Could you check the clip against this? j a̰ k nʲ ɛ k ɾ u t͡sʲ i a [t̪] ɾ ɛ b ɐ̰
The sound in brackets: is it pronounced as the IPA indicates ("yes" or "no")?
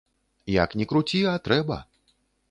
yes